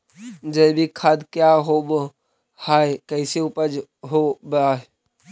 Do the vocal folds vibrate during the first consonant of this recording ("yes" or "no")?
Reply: yes